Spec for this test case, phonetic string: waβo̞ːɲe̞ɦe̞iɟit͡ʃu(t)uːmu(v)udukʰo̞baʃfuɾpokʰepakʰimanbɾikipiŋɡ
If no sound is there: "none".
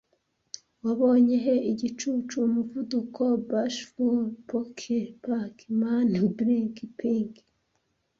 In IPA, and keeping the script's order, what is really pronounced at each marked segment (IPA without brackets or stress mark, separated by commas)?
t͡ʃ, v